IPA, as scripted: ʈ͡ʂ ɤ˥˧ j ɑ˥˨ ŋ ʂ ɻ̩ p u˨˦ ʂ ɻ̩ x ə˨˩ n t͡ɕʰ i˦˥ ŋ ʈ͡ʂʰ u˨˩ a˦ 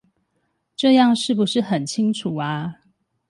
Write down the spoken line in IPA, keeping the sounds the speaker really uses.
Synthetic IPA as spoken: ʈ͡ʂ ɤ˥˧ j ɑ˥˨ ŋ ʂ ɻ̩ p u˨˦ ʂ ɻ̩ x ə˨˩ n t͡ɕʰ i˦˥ ŋ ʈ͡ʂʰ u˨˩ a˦